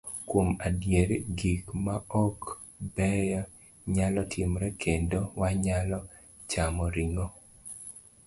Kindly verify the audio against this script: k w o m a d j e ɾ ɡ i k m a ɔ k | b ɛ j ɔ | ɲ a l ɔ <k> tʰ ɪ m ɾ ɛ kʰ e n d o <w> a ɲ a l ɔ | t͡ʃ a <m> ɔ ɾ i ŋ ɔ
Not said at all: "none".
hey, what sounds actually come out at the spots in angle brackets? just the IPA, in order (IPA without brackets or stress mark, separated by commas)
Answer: none, w, m